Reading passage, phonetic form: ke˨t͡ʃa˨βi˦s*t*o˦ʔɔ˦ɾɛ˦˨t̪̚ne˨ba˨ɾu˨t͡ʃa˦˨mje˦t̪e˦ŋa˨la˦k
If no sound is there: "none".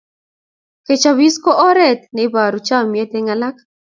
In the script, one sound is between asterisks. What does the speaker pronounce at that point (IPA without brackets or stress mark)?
k